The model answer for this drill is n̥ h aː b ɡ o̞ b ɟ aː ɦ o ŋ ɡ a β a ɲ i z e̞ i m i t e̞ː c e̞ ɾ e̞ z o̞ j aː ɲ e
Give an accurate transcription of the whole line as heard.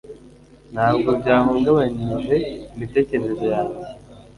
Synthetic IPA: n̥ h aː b ɡ o̞ b ɟ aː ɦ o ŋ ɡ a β a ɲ i ʒ e̞ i m i t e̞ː c e̞ ɾ e̞ z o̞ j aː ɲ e